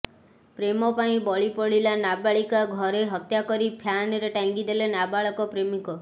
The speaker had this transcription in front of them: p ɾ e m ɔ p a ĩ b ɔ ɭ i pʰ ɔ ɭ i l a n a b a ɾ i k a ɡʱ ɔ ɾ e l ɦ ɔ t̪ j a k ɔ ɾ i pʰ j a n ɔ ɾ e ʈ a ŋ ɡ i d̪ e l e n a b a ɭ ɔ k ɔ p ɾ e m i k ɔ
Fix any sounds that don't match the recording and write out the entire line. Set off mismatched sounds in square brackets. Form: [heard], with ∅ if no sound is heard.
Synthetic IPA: p ɾ e m ɔ p a ĩ b ɔ ɭ i [p] ɔ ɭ i l a n a b a [ɭ] i k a ɡʱ ɔ ɾ e [∅] ɦ ɔ t̪ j a k ɔ ɾ i pʰ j a n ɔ ɾ e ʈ a ŋ ɡ i d̪ e l e n a b a ɭ ɔ k ɔ p ɾ e m i k ɔ